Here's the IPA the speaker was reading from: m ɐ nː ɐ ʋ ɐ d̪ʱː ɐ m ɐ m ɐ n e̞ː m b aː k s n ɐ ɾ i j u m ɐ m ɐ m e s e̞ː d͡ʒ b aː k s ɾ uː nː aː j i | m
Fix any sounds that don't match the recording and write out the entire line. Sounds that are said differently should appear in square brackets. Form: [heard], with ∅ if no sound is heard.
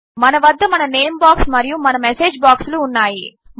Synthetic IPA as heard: m ɐ [n] ɐ ʋ ɐ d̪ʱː ɐ m ɐ [n] ɐ n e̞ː m b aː k s [m] ɐ ɾ i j u m ɐ [n] ɐ m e s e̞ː d͡ʒ b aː k s [l] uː nː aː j i | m